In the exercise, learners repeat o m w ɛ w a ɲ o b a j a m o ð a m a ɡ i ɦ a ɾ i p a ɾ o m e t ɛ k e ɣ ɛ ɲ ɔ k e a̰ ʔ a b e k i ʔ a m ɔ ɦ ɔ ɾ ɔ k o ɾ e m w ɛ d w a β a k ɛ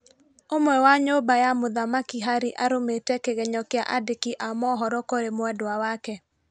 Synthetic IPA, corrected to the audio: o m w ɛ w a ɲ o b a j a m o ð a m a k i ɦ a ɾ i ʔ a ɾ o m e t ɛ k e ɣ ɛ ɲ ɔ k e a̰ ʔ a d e k i ʔ a m ɔ ɦ ɔ ɾ ɔ k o ɾ e m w ɛ d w a w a k ɛ